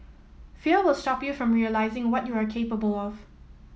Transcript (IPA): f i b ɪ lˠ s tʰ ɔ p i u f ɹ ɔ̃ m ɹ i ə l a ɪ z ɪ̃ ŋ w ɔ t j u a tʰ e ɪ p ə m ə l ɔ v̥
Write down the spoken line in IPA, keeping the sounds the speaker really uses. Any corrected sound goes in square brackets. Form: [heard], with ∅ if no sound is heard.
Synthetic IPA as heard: f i [w] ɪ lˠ s [t] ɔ p [j] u f ɹ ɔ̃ m ɹ i ə l a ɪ z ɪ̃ ŋ w ɔ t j u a [kʰ] e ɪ p ə [b] ə l ɔ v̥